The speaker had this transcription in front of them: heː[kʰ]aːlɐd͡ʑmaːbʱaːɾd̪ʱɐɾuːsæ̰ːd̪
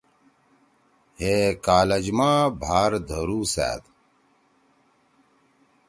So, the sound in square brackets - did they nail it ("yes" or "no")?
no